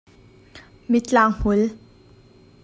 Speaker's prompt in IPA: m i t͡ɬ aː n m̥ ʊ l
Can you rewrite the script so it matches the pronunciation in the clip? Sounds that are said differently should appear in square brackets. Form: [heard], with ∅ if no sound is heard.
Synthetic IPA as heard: m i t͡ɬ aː [ŋ] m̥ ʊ l